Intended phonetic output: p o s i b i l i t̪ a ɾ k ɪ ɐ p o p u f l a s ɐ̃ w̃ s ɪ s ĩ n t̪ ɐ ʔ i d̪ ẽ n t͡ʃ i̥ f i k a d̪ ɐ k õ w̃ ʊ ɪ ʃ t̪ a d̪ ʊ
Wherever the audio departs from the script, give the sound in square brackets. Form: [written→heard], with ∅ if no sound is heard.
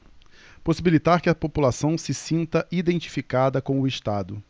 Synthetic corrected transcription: p o s i b i l i t̪ a ɾ k ɪ ɐ p o p u [f→∅] l a s ɐ̃ w̃ s ɪ s ĩ n t̪ ɐ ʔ i d̪ ẽ n t͡ʃ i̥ f i k a d̪ ɐ k õ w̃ ʊ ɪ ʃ t̪ a d̪ ʊ